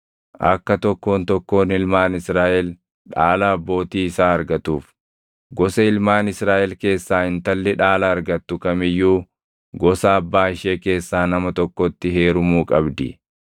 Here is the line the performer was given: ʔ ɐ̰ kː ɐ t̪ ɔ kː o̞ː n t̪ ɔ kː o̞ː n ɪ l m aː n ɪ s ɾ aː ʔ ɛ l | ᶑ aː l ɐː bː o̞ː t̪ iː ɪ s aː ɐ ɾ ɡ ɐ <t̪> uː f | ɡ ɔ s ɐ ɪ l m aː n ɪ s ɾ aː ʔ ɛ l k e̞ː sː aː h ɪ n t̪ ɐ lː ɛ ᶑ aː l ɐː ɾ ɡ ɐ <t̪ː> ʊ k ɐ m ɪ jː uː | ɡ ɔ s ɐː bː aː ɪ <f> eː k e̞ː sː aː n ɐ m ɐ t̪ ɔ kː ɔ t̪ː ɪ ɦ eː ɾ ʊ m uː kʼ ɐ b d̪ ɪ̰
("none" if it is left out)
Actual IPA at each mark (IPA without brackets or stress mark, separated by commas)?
t̪, t̪ː, ʃ